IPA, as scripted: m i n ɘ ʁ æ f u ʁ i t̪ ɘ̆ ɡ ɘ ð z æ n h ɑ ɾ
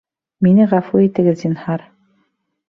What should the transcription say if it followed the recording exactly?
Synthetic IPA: m i n ɘ ʁ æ f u i t̪ ɘ̆ ɡ ɘ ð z i n h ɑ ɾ